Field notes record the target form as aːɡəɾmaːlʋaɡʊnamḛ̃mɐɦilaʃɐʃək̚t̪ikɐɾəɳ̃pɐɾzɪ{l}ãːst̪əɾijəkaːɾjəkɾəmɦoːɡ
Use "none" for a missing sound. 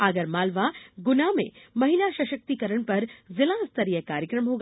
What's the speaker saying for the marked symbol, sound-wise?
l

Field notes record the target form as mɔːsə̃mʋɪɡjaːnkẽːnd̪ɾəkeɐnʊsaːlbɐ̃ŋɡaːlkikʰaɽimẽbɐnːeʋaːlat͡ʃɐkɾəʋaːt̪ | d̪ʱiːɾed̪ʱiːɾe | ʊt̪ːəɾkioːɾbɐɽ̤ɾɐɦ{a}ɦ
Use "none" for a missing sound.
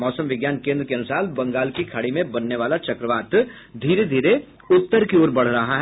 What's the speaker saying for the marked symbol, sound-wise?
a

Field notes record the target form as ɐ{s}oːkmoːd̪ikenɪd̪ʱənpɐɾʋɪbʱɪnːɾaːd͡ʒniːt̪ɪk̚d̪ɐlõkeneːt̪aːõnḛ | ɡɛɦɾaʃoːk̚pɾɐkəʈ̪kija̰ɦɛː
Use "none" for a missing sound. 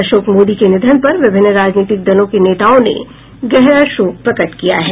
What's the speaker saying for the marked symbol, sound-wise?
ʃ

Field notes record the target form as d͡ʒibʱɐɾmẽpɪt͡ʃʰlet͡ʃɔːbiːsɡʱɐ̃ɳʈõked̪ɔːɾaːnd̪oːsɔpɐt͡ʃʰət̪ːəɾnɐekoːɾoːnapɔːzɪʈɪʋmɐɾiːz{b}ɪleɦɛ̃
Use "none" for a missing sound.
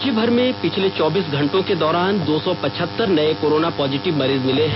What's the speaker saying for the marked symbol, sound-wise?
m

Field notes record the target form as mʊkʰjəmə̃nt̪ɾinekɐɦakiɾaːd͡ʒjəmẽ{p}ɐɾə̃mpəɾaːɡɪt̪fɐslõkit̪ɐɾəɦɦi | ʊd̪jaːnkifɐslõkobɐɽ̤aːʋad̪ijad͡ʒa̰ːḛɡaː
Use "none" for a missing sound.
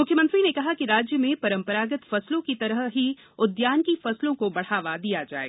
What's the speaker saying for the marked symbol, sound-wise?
p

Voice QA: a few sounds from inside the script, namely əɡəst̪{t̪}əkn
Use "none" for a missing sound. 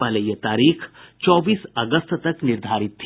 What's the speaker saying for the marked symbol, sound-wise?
t̪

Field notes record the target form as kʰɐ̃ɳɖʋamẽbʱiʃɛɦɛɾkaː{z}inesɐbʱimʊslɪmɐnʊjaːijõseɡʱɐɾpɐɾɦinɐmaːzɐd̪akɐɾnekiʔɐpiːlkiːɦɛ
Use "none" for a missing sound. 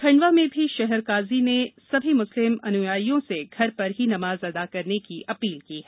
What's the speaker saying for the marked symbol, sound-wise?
z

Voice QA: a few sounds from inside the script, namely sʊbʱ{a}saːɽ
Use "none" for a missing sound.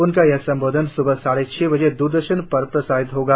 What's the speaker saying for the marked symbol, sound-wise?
ə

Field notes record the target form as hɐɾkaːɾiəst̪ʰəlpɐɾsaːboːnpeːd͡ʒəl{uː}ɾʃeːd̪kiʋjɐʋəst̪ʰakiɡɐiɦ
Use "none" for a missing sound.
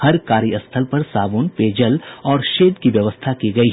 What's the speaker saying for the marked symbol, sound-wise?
ɔː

